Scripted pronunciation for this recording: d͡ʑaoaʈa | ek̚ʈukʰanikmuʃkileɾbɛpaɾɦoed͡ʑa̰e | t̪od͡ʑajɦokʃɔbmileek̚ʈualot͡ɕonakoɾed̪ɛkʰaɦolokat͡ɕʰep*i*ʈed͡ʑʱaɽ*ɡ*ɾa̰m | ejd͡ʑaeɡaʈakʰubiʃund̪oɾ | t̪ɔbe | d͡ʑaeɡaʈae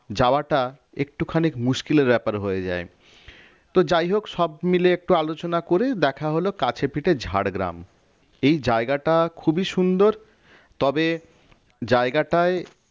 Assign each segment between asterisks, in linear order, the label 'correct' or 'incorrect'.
correct, correct

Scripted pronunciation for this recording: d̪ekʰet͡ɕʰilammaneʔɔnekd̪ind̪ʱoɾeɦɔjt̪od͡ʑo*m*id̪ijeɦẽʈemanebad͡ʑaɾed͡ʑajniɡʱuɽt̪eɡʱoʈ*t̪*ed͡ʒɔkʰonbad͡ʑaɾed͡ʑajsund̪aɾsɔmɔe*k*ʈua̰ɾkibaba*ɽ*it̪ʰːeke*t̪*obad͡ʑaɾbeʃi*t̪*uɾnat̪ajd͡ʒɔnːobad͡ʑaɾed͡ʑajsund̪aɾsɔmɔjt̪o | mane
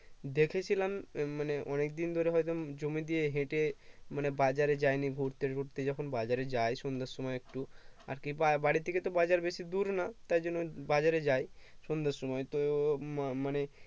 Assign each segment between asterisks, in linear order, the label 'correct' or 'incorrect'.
correct, correct, correct, correct, correct, incorrect

